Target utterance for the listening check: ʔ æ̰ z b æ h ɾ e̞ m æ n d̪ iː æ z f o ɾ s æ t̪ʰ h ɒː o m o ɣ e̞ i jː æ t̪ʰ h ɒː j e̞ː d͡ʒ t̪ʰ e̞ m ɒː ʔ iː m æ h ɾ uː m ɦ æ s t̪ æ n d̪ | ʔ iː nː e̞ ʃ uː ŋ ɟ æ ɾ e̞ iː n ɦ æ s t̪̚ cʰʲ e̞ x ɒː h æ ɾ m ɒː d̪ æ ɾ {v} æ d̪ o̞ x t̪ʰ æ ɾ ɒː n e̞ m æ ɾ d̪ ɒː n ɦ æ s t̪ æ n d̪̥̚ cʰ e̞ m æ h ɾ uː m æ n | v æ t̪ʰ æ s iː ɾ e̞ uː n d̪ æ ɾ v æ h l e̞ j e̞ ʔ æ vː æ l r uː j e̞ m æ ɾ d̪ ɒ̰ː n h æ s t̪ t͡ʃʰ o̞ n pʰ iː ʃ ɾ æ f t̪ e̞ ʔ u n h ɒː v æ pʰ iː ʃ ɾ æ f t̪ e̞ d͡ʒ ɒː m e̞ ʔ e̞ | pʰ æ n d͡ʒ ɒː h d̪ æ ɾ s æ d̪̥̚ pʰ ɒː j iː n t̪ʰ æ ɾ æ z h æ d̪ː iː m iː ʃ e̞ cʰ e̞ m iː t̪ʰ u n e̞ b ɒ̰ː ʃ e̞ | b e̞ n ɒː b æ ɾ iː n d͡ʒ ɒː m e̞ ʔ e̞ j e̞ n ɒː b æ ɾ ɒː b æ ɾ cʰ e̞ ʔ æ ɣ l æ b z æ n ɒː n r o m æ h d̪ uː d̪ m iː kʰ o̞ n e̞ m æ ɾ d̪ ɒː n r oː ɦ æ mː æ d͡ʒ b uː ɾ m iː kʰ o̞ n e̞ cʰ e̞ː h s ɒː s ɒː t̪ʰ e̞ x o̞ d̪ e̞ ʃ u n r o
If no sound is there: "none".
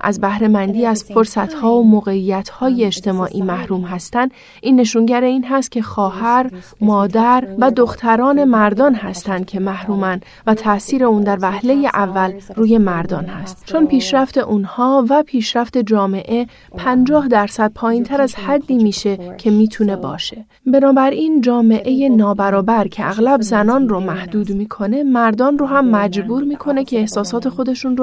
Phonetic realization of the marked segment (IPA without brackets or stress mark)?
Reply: v